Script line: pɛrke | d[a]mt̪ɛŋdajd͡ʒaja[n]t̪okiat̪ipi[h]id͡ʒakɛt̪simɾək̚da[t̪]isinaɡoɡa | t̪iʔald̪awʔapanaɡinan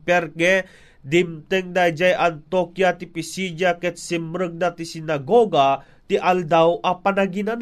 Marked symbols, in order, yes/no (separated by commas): no, yes, no, yes